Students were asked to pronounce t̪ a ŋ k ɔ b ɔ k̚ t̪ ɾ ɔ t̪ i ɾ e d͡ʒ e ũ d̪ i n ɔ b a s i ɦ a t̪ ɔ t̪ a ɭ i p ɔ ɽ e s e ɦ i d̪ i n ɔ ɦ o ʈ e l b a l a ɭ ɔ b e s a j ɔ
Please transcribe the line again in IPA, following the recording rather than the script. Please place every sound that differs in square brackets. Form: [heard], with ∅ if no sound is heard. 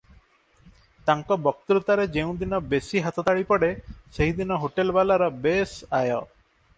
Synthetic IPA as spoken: t̪ a ŋ k ɔ b ɔ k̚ t̪ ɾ [u] t̪ [a] ɾ e d͡ʒ e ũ d̪ i n ɔ b [e] s i ɦ a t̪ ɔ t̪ a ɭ i p ɔ ɽ e s e ɦ i d̪ i n ɔ ɦ o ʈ e l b a l a [ɾ] ɔ b e s a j ɔ